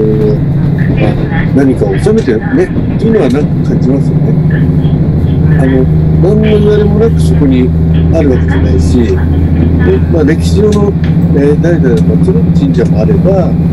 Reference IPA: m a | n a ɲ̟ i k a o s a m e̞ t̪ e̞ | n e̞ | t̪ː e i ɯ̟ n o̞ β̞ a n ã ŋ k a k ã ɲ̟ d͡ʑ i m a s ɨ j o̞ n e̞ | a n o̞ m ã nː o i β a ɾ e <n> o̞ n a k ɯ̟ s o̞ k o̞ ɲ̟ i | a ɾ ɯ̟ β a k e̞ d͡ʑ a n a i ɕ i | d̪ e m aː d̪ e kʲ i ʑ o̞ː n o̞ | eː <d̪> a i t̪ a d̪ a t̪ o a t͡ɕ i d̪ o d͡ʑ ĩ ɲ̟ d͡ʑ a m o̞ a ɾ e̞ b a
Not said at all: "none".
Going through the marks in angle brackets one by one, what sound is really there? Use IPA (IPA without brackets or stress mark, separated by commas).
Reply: m, d̪